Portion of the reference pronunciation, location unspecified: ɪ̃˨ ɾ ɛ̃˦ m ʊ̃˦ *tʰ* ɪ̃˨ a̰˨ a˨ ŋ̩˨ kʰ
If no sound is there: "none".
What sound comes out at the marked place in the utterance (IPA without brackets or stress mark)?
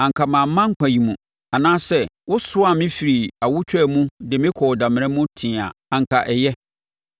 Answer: tʰ